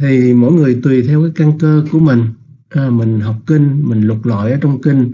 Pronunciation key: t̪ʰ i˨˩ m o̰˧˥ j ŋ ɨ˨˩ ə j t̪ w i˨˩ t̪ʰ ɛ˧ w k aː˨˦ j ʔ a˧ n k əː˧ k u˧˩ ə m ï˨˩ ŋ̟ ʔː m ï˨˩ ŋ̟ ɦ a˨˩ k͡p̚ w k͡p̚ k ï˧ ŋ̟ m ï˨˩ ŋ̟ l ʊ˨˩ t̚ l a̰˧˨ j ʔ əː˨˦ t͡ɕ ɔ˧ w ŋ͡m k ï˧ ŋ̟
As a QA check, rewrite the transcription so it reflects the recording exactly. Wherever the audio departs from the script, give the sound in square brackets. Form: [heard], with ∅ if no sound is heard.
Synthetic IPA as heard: t̪ʰ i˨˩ m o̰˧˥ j ŋ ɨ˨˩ ə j t̪ w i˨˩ t̪ʰ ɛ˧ w k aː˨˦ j [k] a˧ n k əː˧ k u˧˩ ə m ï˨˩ ŋ̟ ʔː m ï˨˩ ŋ̟ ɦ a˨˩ [∅] w k͡p̚ k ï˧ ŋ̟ m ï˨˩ ŋ̟ l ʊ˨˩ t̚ l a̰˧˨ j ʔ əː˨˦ t͡ɕ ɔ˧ w ŋ͡m k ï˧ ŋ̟